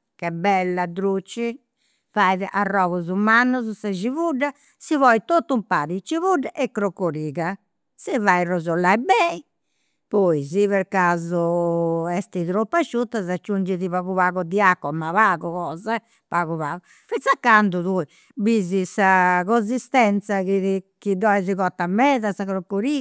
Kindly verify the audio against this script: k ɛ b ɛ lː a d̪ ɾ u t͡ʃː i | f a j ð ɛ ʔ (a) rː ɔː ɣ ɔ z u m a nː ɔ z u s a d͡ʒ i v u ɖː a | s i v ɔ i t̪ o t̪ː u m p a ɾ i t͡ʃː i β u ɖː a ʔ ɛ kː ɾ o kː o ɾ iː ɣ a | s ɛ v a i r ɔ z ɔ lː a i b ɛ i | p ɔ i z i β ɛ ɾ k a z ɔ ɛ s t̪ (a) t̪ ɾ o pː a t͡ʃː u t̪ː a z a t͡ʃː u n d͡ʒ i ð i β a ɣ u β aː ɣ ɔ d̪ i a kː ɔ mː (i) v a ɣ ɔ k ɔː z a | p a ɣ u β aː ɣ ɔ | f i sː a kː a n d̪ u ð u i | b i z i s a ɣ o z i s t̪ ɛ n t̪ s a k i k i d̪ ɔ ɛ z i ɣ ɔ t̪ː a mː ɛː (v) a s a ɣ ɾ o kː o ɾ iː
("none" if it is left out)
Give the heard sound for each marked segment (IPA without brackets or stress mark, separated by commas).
a, i, a, ð